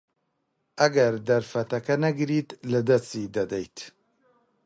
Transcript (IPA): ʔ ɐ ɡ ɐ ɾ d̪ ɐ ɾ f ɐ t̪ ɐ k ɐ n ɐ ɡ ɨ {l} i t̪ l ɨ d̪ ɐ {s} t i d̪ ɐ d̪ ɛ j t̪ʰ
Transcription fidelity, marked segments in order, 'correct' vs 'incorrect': incorrect: ɾ, correct

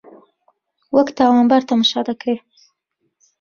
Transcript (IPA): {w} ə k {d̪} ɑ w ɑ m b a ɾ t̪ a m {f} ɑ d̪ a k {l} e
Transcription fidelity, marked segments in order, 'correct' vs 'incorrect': correct, incorrect: t̪, incorrect: ʃ, incorrect: ɽ

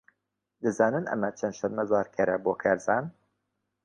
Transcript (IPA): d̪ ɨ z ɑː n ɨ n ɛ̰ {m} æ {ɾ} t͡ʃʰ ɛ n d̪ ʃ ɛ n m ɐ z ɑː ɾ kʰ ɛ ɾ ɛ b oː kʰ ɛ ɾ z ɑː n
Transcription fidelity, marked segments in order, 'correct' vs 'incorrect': correct, incorrect: none

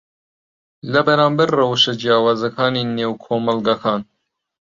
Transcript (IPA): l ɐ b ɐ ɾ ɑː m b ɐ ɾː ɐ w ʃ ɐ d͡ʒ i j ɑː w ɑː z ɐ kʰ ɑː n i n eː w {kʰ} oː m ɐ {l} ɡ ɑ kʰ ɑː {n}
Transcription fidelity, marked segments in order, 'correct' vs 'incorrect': correct, correct, correct

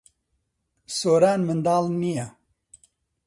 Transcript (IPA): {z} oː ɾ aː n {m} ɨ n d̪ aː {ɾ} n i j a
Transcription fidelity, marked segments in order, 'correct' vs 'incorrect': incorrect: s, correct, incorrect: l

